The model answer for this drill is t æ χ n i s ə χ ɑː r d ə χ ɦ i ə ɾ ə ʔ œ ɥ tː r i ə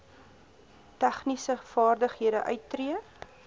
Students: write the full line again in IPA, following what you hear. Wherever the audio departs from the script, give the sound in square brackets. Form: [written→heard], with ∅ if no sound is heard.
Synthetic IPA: t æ χ n i s ə [χ→f] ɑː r d ə χ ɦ i ə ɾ ə ʔ œ ɥ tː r i ə